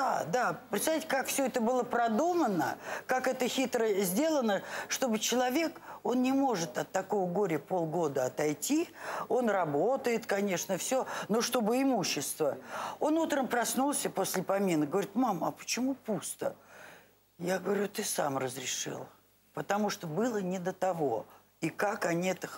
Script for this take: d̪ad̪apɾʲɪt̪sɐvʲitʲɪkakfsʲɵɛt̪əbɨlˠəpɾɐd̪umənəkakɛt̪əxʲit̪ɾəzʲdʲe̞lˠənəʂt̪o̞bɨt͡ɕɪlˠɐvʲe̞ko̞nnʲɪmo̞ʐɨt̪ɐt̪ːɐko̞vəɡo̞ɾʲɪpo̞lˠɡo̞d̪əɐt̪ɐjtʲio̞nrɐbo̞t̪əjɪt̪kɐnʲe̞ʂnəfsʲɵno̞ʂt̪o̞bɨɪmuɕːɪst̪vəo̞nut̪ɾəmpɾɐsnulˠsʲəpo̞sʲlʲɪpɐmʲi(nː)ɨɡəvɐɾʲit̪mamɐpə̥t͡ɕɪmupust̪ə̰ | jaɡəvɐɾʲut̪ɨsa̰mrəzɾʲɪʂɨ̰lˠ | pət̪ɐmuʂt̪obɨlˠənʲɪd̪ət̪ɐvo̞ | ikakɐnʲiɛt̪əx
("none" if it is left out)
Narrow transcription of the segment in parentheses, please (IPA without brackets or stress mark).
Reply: n